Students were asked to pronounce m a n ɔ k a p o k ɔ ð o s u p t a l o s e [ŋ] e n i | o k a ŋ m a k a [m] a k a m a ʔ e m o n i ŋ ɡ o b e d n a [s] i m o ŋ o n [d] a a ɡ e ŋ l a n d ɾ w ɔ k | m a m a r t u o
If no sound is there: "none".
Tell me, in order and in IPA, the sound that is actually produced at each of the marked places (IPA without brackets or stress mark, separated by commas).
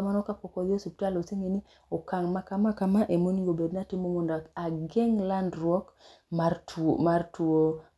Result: ŋ, m, t, d